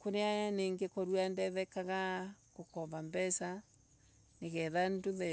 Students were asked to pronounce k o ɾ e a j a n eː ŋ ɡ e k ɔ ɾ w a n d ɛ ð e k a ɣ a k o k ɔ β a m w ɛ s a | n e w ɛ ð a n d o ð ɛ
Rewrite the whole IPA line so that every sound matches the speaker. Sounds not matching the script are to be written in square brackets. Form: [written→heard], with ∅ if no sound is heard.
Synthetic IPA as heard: k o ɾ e a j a n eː ŋ ɡ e k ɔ ɾ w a n d ɛ ð [e→ɛ] k a ɣ a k o k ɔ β a m [w→b] ɛ s a | n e [w→ɣ] ɛ ð a n d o ð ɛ